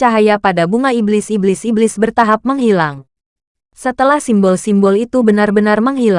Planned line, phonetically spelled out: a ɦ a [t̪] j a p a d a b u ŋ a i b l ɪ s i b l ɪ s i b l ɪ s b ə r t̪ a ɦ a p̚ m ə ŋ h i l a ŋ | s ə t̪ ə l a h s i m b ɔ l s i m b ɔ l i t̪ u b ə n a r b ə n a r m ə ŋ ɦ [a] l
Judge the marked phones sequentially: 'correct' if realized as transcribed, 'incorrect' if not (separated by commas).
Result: incorrect, incorrect